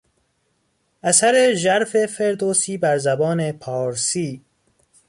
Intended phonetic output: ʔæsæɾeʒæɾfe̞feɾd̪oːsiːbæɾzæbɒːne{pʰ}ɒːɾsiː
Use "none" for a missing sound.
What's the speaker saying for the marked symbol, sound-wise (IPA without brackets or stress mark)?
pʰ